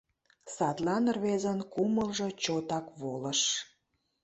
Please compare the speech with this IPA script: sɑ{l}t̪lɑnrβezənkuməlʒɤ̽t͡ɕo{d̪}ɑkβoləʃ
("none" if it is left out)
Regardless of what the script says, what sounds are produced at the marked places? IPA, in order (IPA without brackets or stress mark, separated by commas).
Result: none, t̪